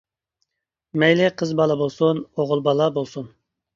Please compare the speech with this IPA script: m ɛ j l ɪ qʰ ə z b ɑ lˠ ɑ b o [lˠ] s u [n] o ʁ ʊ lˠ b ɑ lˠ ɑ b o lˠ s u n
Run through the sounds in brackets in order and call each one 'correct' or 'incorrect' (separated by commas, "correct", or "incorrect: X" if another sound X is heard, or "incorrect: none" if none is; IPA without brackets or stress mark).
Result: correct, correct